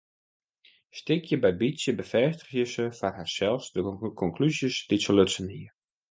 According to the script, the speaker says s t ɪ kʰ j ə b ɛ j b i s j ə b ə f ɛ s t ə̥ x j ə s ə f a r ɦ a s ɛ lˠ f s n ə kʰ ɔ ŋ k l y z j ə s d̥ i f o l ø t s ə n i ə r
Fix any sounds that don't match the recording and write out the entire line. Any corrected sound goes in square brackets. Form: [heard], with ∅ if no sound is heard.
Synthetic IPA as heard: s t ɪ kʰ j ə b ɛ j b i s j ə b ə f ɛ s t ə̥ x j ə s ə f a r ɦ a s ɛ lˠ f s [d] ə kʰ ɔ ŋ k l y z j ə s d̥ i [s] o l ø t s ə n i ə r